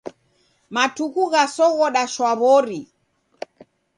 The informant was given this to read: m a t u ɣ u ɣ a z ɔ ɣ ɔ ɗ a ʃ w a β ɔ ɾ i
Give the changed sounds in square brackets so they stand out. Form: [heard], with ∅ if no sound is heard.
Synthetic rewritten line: m a t u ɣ u ɣ a [s] ɔ ɣ ɔ ɗ a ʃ w a β ɔ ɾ i